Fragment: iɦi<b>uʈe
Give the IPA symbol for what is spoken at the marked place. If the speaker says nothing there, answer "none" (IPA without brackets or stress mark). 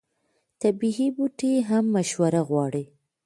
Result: b